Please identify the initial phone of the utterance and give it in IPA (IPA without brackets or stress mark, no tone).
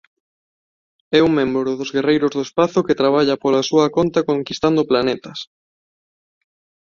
ɛ